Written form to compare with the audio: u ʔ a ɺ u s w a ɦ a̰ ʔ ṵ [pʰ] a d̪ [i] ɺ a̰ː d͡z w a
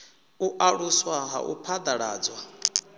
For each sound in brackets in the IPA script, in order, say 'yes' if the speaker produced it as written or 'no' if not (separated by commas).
yes, no